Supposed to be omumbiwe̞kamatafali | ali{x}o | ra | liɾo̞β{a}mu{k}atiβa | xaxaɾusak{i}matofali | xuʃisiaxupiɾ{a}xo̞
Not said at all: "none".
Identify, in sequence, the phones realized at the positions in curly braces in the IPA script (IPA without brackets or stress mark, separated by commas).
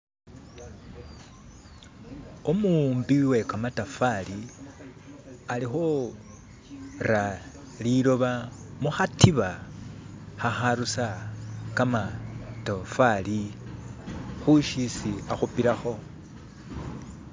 x, a, x, a, a